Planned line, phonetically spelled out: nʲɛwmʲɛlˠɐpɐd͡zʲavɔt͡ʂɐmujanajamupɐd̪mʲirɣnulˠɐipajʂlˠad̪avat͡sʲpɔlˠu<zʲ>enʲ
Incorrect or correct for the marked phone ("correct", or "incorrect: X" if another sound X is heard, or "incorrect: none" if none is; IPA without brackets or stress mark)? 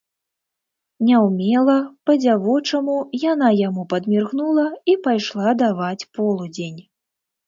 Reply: incorrect: d͡zʲ